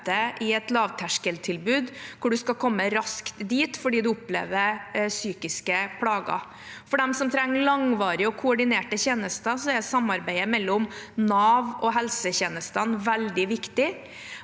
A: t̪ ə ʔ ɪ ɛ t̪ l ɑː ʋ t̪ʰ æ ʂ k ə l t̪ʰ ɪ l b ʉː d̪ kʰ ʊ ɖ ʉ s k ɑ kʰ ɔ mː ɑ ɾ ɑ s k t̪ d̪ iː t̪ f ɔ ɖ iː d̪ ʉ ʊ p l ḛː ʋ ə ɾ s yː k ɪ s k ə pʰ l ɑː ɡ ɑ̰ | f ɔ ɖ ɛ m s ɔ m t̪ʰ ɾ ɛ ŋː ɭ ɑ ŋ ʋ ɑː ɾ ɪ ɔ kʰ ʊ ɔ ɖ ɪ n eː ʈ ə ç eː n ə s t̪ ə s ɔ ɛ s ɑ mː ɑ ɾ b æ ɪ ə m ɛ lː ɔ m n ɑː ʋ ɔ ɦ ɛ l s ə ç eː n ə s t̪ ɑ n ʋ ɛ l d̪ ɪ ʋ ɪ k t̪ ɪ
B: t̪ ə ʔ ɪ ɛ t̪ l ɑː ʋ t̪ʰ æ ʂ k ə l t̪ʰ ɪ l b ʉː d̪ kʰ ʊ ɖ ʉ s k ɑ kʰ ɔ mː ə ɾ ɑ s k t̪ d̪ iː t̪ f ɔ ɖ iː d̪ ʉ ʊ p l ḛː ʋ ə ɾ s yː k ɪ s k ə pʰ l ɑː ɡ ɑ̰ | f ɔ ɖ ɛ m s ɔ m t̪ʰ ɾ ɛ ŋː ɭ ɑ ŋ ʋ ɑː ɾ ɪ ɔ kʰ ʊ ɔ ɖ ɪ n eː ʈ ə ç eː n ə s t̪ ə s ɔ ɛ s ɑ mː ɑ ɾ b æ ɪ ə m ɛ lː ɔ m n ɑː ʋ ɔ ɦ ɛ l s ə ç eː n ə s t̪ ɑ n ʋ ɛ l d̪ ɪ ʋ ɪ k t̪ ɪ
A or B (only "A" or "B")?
B